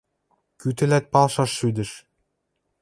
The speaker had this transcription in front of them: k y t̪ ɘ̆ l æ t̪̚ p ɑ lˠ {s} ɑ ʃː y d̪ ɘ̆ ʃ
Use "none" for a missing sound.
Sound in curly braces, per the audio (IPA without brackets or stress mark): ʃ